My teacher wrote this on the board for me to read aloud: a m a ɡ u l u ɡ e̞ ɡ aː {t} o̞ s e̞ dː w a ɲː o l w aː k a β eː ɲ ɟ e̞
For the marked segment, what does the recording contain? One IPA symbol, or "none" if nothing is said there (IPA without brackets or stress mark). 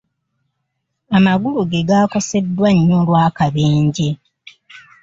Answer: k